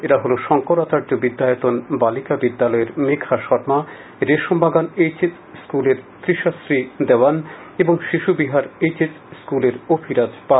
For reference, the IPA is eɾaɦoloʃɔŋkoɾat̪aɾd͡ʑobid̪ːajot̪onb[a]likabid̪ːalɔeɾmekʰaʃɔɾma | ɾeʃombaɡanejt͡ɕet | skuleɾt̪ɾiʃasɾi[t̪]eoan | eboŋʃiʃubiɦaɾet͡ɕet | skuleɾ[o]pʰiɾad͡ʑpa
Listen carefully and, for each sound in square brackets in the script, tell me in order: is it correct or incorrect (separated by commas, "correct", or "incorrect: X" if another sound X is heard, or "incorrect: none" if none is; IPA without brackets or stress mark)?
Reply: correct, incorrect: d̪, correct